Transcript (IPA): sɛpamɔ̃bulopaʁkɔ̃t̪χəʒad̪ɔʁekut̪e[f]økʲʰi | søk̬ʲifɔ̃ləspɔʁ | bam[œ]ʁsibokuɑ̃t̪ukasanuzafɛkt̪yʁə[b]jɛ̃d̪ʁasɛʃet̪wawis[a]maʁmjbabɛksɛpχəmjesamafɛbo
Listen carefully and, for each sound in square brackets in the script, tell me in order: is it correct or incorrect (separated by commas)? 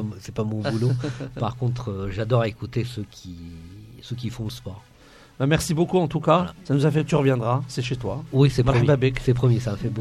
incorrect, incorrect, incorrect, incorrect